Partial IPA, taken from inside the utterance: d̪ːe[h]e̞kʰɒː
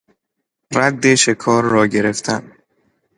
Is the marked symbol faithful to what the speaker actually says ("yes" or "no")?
no